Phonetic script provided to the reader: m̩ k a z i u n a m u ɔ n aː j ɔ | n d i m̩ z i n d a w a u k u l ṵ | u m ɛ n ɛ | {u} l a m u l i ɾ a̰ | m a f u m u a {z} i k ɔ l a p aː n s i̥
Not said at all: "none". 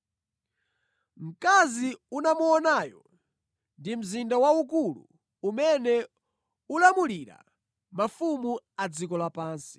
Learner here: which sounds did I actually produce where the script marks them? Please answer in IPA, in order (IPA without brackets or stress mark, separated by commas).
u, d͡z